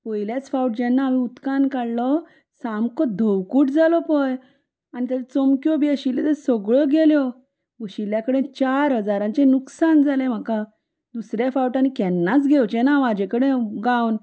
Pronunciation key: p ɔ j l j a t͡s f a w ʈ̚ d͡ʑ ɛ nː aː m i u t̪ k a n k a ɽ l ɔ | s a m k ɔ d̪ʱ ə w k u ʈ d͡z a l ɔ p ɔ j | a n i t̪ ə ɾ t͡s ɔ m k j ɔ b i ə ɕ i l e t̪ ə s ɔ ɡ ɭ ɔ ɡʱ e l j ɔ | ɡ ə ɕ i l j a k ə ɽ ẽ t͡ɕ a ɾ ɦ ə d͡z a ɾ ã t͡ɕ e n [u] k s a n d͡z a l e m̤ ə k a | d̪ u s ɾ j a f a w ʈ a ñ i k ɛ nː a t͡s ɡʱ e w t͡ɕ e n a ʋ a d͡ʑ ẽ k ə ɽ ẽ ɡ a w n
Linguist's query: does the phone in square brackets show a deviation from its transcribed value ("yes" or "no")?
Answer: no